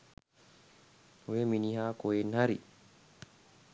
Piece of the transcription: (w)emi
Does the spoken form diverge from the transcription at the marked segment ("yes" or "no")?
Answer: no